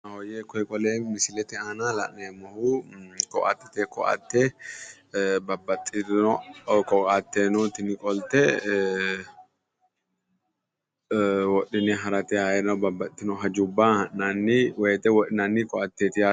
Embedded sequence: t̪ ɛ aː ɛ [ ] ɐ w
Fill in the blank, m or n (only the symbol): n